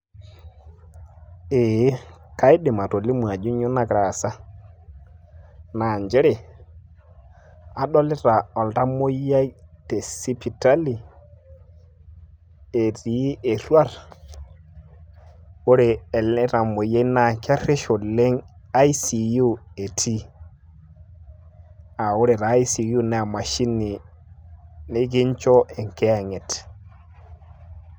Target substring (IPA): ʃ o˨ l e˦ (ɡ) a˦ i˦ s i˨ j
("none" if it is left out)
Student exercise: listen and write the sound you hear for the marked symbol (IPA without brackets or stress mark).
ŋ